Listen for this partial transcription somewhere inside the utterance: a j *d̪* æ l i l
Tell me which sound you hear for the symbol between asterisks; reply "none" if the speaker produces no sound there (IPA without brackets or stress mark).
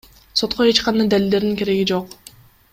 d̪